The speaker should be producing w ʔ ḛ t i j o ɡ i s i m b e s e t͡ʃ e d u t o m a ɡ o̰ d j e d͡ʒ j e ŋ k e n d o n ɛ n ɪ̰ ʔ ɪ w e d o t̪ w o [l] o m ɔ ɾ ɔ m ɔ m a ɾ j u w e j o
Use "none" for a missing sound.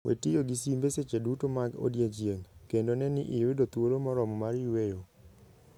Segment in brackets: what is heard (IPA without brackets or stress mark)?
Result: ɾ